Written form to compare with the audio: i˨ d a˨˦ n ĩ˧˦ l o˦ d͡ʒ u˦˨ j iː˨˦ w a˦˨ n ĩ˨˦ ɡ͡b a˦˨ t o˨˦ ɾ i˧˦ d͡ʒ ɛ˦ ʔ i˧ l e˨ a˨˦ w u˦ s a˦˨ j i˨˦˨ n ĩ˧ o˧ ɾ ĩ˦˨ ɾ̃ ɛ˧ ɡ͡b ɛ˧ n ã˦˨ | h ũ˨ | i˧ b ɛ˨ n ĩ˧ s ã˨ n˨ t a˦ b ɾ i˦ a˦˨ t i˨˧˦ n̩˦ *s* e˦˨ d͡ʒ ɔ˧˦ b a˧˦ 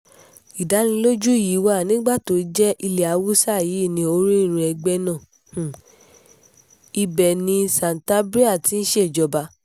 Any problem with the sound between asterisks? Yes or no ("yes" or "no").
yes